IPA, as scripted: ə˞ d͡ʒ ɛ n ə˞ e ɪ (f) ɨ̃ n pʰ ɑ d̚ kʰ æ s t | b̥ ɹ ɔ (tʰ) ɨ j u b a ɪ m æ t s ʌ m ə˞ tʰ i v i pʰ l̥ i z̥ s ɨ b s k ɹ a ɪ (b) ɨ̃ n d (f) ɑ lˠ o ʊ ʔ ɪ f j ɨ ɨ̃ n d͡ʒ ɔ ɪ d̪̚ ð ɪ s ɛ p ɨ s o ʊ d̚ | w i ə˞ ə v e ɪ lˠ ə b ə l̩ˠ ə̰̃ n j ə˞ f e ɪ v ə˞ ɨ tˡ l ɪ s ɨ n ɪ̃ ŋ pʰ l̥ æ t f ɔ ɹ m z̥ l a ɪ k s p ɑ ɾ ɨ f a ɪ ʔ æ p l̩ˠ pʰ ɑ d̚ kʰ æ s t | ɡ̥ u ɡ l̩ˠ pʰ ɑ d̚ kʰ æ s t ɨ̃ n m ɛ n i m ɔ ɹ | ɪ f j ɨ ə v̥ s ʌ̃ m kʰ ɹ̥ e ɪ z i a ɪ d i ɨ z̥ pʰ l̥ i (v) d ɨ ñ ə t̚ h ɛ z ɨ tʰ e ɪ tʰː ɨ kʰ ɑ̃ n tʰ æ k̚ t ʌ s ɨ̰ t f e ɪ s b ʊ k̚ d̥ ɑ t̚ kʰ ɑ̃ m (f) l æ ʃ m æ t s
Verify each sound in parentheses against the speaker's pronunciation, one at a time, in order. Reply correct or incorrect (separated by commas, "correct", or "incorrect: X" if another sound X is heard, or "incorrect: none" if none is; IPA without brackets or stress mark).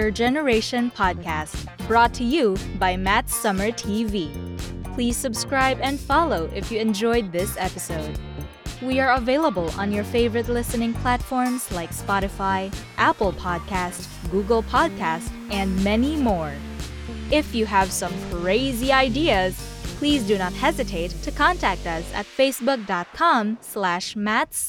incorrect: ʃ, correct, correct, correct, incorrect: z, incorrect: s